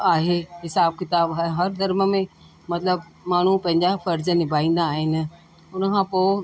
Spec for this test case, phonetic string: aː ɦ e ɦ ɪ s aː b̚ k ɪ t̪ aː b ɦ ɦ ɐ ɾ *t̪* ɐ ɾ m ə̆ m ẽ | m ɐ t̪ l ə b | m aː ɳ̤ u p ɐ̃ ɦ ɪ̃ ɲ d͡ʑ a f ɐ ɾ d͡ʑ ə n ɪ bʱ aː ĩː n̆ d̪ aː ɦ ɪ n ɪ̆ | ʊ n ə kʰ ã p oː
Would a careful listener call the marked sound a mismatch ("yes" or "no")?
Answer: yes